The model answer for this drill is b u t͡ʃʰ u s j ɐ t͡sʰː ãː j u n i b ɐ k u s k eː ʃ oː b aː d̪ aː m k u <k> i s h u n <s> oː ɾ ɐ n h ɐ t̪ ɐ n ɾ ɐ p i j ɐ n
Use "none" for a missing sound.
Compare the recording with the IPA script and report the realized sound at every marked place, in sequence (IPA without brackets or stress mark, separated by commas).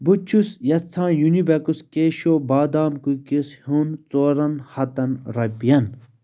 k, t͡s